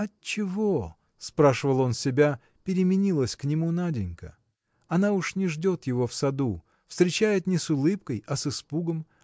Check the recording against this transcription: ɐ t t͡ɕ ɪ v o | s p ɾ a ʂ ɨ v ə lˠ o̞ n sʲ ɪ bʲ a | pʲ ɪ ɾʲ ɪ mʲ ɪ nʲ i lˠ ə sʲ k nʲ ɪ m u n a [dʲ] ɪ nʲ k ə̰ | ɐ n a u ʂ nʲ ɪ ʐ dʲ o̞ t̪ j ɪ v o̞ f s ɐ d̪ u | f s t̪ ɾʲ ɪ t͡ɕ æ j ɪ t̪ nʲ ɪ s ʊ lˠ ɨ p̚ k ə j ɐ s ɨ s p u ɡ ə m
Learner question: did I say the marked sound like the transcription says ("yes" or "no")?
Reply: yes